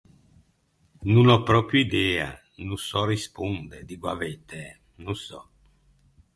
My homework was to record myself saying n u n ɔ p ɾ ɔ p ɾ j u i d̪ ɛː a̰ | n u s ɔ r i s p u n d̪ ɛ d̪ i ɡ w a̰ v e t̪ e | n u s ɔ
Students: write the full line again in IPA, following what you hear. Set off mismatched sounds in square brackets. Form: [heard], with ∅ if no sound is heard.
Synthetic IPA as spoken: n u n ɔ p ɾ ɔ p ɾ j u i d̪ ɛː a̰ | n u s ɔ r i s p u n d̪ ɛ d̪ i ɡ w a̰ v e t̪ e | n u s ɔ